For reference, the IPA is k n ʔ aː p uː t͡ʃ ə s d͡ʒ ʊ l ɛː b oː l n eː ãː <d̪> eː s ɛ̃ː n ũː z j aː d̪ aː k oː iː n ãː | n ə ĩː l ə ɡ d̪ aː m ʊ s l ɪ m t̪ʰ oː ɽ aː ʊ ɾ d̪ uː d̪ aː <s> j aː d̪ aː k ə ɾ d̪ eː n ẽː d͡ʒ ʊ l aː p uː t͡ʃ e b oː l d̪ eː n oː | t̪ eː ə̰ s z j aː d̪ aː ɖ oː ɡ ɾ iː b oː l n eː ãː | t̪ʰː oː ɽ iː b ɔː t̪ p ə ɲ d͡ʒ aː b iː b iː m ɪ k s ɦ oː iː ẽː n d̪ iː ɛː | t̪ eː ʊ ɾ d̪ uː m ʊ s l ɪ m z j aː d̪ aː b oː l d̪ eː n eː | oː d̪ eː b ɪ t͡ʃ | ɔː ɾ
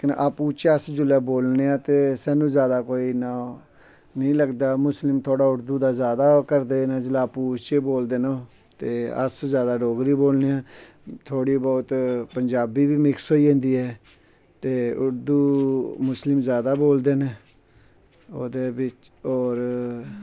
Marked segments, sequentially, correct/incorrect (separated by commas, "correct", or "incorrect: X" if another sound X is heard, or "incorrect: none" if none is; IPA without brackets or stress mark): incorrect: t̪, incorrect: z